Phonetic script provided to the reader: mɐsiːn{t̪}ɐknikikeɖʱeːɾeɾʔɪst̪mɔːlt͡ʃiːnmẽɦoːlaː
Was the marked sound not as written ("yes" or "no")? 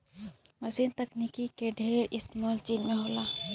no